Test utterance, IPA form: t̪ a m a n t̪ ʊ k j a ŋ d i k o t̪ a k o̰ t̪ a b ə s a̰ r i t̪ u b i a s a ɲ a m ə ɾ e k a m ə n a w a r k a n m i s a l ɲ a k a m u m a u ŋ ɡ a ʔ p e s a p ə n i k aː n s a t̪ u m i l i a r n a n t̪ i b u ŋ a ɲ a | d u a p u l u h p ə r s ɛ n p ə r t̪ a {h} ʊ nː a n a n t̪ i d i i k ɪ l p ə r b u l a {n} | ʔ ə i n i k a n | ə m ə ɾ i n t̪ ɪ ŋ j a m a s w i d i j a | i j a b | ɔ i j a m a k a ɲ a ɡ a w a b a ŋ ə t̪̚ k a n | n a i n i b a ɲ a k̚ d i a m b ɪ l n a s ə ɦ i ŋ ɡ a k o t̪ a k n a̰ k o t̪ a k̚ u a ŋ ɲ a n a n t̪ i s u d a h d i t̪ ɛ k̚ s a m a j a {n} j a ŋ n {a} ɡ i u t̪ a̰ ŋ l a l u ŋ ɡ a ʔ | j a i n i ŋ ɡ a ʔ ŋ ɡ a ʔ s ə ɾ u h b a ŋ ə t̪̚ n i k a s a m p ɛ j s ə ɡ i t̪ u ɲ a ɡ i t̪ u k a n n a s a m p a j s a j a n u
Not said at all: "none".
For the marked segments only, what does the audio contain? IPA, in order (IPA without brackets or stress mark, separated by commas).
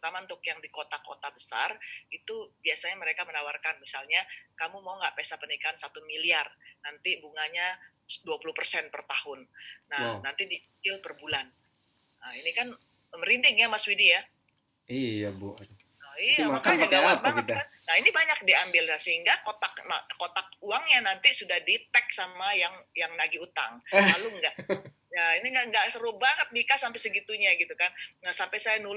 h, n, ŋ, a